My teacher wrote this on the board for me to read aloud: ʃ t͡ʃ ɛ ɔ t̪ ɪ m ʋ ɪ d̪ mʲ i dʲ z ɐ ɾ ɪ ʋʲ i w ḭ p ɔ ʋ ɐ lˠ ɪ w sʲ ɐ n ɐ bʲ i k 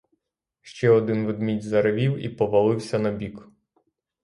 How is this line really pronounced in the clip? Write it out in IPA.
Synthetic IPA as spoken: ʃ t͡ʃ ɛ ɔ d̪ ɪ n ʋ ɪ d̪ mʲ i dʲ z ɐ ɾ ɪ ʋʲ i w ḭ p ɔ ʋ ɐ lˠ ɪ w sʲ ɐ n ɐ bʲ i k